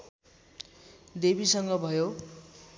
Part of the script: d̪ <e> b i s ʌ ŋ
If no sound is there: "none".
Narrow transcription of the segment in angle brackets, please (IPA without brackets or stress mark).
e